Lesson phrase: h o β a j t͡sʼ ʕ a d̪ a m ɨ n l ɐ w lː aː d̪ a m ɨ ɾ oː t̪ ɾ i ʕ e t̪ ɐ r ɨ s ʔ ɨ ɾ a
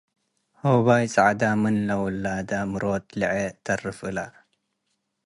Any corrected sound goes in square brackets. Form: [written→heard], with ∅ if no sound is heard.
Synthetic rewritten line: h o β a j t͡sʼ ʕ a d̪ a m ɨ n l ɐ w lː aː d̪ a m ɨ ɾ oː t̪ [ɾ→l] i ʕ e t̪ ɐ r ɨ [s→f] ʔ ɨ [ɾ→l] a